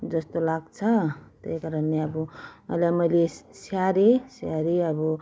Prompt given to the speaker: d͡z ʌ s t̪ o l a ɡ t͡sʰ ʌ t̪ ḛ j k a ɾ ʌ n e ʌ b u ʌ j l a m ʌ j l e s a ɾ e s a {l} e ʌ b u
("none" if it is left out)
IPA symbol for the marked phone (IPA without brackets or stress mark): ɾ